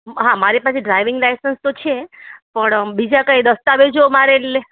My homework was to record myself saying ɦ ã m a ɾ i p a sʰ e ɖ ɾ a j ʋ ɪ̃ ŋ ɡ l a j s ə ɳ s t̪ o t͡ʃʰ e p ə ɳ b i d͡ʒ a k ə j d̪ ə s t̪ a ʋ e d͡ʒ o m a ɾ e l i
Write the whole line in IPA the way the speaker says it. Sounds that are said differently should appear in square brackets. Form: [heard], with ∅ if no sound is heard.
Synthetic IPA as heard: ɦ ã m a ɾ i p a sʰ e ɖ ɾ a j ʋ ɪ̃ ŋ ɡ l a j s ə [n] s t̪ o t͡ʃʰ e p ə ɳ b i d͡ʒ a k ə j d̪ ə s t̪ a ʋ e d͡ʒ o m a ɾ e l [e]